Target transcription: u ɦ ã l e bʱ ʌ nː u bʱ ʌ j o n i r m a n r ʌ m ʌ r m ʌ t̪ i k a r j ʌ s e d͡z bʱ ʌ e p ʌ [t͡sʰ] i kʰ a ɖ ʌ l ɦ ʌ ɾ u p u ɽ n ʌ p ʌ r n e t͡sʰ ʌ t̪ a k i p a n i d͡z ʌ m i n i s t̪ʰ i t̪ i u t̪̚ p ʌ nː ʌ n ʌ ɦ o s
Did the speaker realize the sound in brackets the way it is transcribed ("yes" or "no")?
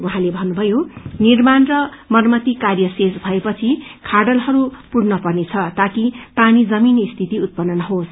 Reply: yes